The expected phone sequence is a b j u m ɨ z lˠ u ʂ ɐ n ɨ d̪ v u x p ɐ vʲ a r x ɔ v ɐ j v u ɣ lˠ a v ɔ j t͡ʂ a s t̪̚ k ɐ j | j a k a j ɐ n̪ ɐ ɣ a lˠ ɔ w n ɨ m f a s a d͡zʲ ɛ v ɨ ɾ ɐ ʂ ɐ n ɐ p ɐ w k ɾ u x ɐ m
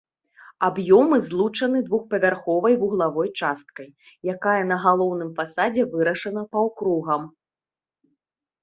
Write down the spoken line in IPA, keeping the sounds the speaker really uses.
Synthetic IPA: a b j ɔ m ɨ z lˠ u t͡ʂ ɐ n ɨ d̪ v u x p ɐ vʲ a r x ɔ v ɐ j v u ɣ lˠ a v ɔ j t͡ʂ a s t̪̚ k ɐ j | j a k a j ɐ n̪ ɐ ɣ a lˠ ɔ w n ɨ m f a s a d͡zʲ ɛ v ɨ ɾ ɐ ʂ ɐ n ɐ p ɐ w k ɾ u ɣ ɐ m

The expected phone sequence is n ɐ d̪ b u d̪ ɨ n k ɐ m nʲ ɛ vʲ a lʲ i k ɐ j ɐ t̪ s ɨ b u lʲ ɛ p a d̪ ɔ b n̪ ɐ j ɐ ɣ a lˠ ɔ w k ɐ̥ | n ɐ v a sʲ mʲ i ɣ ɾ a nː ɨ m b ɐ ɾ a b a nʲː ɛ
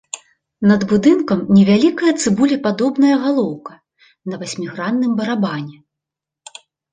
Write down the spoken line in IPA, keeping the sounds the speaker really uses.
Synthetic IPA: n ɐ d̪ b u d̪ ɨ n k ɐ m nʲ ɛ vʲ a lʲ i k ɐ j ɐ t̪ s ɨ b u lʲ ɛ p a d̪ ɔ b n̪ ɐ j ɐ ɣ a lˠ ɔ w k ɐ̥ | n ɐ v a sʲ mʲ i ɣ ɾ a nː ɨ m b ɐ ɾ a b a nʲ ɛ

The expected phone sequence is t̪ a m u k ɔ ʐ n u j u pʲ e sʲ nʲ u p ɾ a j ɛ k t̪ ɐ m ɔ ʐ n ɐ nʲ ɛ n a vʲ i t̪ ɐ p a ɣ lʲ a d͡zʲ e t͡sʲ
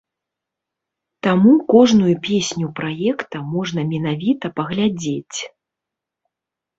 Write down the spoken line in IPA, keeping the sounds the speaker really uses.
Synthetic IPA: t̪ a m u k ɔ ʐ n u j u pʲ e sʲ nʲ u p ɾ a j ɛ k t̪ ɐ m ɔ ʐ n ɐ mʲ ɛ n a vʲ i t̪ ɐ p ɐ ɣ lʲ a d͡zʲ e t͡sʲ

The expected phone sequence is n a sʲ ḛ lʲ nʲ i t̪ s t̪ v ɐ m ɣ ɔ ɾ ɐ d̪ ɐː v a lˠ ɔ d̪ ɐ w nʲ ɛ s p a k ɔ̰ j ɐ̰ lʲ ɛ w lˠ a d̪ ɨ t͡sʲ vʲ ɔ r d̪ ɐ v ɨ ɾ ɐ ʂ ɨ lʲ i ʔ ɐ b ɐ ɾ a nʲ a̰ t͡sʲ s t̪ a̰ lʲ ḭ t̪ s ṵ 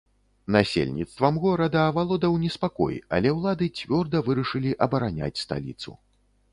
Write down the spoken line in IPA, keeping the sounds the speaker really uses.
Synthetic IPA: n a sʲ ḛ lʲ nʲ i t̪ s t̪ v ɐ m ɣ ɔ ɾ ɐ d̪ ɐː v a lˠ ɔ d̪ ɐ w nʲ ɛ s p a k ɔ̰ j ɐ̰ lʲ ɛ w lˠ a d̪ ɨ t͡sʲ vʲ ɔ r d̪ ɐ v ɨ ɾ ɐ ʂ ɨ lʲ i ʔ ɐ b ɐ ɾ a nʲ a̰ t͡sʲ s t̪ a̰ lʲ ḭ t̪ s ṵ

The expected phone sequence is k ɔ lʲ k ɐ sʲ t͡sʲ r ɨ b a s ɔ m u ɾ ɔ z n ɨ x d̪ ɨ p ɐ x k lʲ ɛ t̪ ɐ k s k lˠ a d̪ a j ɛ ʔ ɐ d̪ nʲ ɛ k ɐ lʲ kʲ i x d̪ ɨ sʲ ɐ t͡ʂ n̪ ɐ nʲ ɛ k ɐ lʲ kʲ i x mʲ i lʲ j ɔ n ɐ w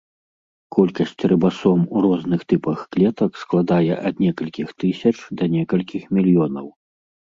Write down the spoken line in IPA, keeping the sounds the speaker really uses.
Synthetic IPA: k ɔ lʲ k ɐ sʲ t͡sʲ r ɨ b a s ɔ m u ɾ ɔ z n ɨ x t̪ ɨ p ɐ x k lʲ ɛ t̪ ɐ k s k lˠ a d̪ a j ɛ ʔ ɐ d̪ nʲ ɛ k ɐ lʲ kʲ i x t̪ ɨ sʲ ɐ t͡ʂ d̪ ɐ nʲ ɛ k ɐ lʲ kʲ i x mʲ i lʲ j ɔ n ɐ w

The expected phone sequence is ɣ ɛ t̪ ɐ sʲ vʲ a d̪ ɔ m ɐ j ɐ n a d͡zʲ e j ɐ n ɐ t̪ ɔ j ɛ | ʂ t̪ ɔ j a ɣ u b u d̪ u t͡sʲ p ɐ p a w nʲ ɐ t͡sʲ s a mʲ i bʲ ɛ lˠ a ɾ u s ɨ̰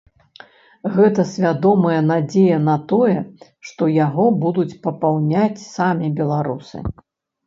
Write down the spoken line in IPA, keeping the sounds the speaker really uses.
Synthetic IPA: ɣ ɛ t̪ ɐ sʲ vʲ a d̪ ɔ m ɐ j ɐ n a d͡zʲ e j ɐ n ɐ t̪ ɔ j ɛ | ʂ t̪ ɔ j a ɣ ɔ b u d̪ u t͡sʲ p ɐ p a w nʲ a t͡sʲ s a mʲ i bʲ ɛ lˠ a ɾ u s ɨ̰

